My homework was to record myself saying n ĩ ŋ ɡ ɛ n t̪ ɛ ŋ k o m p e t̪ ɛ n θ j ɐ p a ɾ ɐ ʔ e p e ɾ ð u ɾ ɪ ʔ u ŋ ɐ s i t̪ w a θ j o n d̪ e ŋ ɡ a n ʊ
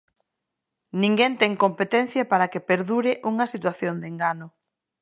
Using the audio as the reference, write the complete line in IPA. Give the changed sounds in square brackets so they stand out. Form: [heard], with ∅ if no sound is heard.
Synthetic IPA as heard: n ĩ ŋ ɡ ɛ n t̪ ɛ ŋ k o m p e t̪ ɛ n θ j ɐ p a ɾ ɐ [k] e p e ɾ ð u ɾ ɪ ʔ u ŋ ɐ s i t̪ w a θ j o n d̪ e ŋ ɡ a n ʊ